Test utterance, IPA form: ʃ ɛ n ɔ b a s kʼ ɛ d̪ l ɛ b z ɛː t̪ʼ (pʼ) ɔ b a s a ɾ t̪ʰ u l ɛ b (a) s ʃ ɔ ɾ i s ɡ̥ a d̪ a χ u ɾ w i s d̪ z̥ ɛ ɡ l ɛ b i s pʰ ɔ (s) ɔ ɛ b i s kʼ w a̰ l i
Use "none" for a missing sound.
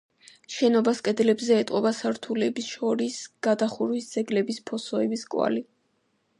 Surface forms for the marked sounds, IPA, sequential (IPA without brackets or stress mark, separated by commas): qʼ, i, s